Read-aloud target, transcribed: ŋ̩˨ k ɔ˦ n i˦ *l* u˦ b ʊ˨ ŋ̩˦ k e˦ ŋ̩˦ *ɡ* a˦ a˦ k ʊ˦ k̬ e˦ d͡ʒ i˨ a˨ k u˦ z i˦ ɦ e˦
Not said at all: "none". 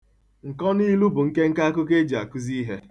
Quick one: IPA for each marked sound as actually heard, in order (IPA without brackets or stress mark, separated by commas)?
l, k